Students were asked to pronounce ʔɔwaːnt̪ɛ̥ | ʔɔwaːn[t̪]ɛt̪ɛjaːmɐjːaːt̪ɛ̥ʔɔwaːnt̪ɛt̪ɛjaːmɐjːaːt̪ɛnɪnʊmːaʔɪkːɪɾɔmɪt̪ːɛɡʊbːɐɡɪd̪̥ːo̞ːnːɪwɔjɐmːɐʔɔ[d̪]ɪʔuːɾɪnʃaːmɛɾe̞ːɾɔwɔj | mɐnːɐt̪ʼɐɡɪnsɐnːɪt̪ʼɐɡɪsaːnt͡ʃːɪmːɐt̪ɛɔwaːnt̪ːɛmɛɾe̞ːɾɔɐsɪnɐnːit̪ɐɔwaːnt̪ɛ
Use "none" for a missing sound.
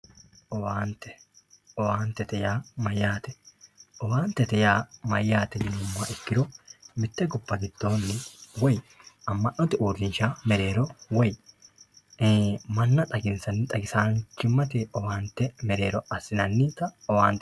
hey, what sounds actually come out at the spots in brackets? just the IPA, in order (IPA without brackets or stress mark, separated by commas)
t̪, t̪